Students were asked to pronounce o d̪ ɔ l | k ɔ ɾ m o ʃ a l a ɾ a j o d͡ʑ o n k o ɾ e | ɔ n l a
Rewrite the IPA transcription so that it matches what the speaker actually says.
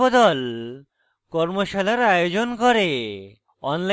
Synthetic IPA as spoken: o d̪ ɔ l | k ɔ ɾ m o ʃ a l a ɾ a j o d͡ʑ o n k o ɾ e | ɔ n l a

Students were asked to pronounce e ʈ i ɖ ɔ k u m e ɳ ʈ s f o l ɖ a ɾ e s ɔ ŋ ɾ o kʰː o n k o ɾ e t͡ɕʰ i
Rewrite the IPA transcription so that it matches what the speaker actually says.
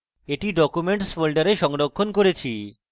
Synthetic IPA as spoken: e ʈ i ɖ ɔ k u m e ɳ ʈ s f o l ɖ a ɾ e ʃ ɔ ŋ ɾ o kʰː o n k o ɾ e t͡ɕʰ i

